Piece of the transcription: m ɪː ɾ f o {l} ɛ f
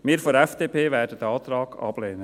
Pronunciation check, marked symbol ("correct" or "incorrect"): incorrect